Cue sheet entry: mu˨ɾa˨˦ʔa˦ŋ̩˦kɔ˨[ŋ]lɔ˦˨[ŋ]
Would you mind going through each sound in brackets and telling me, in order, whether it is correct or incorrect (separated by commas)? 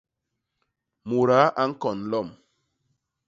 incorrect, incorrect